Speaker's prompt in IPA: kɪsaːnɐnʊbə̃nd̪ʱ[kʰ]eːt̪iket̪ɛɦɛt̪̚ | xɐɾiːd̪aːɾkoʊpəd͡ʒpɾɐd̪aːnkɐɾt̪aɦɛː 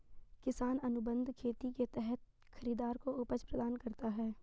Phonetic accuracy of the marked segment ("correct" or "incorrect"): correct